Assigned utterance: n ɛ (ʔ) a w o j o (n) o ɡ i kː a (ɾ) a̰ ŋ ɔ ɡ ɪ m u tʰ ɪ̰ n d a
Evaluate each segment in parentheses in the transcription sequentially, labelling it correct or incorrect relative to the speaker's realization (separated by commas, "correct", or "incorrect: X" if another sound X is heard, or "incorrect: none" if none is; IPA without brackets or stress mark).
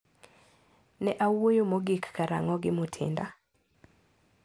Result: correct, incorrect: m, correct